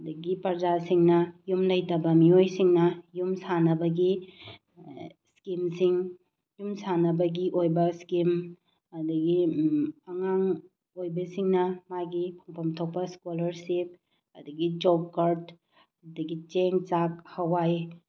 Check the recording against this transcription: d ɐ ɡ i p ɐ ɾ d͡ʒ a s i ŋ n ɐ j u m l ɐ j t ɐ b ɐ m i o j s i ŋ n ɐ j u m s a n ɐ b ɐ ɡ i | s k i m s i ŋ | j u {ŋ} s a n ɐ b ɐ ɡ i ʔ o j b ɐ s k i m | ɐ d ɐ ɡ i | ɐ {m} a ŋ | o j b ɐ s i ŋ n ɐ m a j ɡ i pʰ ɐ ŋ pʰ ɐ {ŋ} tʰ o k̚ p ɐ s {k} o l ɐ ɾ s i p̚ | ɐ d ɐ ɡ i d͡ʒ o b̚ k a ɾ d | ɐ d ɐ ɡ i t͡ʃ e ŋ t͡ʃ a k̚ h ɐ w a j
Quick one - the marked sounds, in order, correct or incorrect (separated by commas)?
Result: incorrect, incorrect, incorrect, correct